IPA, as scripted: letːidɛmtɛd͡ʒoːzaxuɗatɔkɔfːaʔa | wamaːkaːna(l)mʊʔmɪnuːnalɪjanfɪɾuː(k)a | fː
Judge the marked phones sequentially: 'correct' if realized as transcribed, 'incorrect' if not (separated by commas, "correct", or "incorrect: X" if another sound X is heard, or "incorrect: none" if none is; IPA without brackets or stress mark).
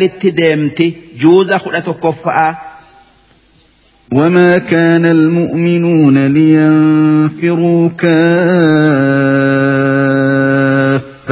correct, correct